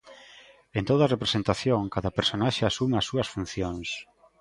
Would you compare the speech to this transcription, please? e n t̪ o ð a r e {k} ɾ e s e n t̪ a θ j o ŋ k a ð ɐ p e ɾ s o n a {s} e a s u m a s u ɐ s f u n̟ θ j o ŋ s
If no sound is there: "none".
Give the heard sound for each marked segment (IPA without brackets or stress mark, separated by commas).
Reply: p, ʃ